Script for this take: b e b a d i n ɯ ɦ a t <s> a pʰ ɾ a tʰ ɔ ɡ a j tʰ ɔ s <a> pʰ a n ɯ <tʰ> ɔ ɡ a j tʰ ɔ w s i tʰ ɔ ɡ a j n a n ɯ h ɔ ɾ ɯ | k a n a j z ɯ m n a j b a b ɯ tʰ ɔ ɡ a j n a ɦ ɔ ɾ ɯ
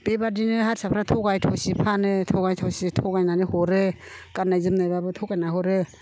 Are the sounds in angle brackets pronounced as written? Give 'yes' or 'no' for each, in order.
yes, no, yes

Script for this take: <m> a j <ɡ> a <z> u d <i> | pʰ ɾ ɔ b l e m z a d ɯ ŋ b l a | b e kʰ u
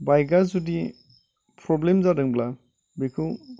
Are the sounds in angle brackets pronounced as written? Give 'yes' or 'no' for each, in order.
no, yes, yes, yes

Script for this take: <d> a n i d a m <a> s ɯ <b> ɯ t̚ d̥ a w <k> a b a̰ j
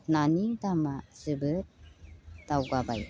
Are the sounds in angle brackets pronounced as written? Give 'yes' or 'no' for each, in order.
no, yes, yes, no

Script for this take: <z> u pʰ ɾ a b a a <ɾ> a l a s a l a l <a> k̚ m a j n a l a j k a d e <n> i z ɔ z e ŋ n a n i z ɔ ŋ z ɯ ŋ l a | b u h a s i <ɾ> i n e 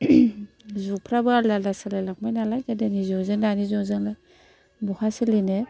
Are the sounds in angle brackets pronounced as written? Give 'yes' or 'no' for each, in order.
yes, no, yes, yes, no

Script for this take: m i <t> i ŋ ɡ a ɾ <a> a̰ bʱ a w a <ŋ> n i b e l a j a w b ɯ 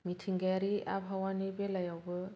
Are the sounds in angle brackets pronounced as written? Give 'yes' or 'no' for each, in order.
no, no, no

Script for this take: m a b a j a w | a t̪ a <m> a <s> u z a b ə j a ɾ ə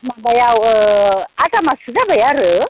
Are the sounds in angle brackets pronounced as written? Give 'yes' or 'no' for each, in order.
yes, yes

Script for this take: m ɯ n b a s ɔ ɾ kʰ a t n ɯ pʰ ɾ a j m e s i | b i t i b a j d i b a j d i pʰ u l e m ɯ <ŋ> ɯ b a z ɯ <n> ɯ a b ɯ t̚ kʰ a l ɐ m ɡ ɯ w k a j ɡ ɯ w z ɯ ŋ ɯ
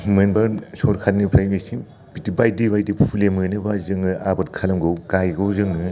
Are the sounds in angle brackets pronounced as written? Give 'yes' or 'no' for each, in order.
no, no

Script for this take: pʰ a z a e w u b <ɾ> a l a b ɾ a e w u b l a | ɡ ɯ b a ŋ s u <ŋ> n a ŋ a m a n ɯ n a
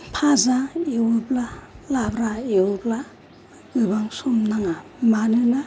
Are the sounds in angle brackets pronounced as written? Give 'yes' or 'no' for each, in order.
no, no

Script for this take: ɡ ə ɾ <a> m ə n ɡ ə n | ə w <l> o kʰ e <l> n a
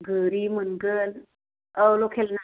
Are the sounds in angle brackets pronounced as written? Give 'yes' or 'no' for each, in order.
no, yes, yes

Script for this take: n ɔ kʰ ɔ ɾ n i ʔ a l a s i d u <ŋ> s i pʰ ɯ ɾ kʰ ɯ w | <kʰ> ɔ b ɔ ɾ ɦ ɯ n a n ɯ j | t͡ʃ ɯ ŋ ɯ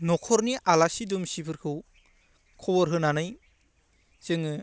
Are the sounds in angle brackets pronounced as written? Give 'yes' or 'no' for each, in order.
no, yes

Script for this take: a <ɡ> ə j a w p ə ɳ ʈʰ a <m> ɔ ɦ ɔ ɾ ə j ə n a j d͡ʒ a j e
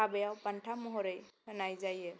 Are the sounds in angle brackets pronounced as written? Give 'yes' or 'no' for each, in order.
no, yes

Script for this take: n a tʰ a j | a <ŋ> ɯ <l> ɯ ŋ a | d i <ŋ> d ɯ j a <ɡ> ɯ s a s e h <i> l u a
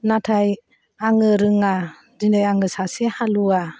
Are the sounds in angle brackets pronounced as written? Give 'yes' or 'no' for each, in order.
yes, no, no, no, no

